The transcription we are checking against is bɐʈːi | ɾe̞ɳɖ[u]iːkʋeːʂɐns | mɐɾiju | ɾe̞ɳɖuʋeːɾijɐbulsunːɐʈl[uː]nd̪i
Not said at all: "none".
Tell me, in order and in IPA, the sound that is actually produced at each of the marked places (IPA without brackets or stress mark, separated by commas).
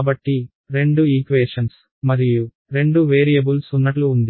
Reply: u, uː